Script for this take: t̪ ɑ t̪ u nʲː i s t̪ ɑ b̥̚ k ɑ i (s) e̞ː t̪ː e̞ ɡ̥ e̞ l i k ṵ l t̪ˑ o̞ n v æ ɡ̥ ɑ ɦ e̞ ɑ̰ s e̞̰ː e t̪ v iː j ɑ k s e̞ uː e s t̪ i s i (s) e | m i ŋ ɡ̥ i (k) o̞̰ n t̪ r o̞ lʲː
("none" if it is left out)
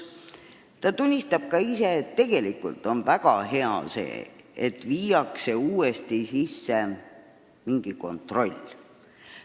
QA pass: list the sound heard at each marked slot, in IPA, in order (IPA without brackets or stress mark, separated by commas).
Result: s, sː, k